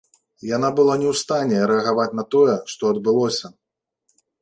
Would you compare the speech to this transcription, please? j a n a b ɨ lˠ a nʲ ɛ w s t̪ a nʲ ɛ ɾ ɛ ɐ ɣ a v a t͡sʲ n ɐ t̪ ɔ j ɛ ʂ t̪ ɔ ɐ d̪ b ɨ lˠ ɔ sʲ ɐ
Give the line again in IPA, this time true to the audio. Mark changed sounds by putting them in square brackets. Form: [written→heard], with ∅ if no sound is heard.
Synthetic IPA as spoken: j a n a b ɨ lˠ a nʲ ɛ w s t̪ a nʲ ɛ ɾ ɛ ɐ ɣ a v a t͡sʲ n ɐ t̪ ɔ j ɛ ʂ t̪ ɔ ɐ d̪ b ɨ lˠ ɔ sʲ ɐ